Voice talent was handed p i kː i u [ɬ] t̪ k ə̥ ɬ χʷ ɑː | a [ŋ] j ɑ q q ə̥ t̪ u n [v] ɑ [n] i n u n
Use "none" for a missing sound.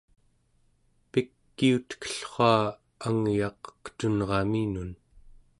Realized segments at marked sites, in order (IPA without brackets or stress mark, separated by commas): none, ŋ, ʁ, m